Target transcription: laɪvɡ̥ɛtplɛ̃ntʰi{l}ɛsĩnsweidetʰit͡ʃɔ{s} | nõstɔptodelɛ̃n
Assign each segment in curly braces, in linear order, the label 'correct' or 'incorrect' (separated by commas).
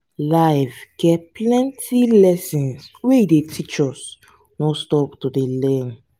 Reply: correct, correct